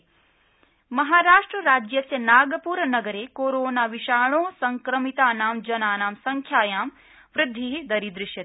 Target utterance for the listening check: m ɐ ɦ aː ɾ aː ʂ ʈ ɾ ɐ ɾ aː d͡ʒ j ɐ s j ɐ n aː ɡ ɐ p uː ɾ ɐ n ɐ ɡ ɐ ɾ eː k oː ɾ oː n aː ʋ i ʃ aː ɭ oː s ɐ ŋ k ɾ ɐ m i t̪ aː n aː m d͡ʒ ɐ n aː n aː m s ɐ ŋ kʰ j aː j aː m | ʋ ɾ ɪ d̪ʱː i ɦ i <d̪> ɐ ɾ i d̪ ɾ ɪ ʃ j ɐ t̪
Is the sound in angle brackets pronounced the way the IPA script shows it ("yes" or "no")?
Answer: yes